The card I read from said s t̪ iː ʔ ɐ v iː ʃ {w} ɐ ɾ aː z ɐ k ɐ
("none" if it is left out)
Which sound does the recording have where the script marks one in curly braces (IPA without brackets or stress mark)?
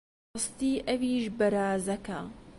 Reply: b